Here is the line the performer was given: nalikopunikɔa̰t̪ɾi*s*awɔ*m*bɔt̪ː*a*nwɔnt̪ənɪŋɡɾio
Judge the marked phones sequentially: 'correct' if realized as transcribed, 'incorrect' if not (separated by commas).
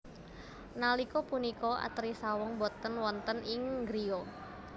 correct, incorrect, incorrect